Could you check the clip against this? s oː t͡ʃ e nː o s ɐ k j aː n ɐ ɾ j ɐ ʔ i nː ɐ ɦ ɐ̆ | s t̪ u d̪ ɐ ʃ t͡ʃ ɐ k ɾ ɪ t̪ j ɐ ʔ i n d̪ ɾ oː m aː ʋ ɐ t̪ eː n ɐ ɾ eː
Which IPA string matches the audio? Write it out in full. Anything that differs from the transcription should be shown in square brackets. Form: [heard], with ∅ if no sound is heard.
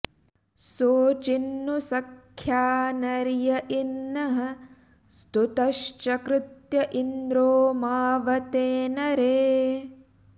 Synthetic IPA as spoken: s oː t͡ʃ [i] nː [u] s ɐ [kʰ] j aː n ɐ ɾ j ɐ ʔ i nː ɐ ɦ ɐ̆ | s t̪ u [t̪] ɐ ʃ t͡ʃ ɐ k ɾ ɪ t̪ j ɐ ʔ i n d̪ ɾ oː m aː ʋ ɐ t̪ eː n ɐ ɾ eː